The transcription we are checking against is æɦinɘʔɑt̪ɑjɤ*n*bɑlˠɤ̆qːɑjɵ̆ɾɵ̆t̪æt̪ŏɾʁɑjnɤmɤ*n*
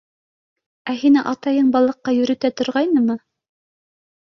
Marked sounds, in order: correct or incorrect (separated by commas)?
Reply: incorrect, incorrect